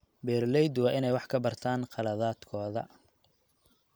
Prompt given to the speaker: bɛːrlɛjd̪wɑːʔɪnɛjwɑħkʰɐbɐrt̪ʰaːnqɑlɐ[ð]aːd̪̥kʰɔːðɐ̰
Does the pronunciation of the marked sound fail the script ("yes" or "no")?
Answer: no